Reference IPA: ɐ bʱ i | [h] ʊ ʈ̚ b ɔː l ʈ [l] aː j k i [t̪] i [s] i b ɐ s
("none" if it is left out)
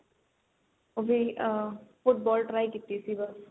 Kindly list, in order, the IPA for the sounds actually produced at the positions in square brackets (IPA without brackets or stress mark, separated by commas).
f, ɾ, t̪, s